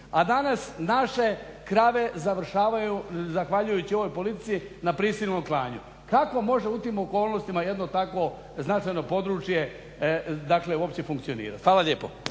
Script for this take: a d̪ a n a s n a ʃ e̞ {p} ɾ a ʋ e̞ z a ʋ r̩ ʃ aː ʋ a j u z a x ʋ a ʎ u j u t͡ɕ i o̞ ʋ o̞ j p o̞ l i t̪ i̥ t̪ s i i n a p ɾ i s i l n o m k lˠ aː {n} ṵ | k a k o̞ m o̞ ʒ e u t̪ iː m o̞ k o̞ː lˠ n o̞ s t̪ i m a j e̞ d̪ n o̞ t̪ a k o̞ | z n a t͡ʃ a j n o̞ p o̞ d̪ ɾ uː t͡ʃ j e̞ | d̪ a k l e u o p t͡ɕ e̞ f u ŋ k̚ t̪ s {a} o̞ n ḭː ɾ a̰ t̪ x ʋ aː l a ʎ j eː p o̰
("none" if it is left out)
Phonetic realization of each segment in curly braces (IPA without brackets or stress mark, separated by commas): k, ɲ, i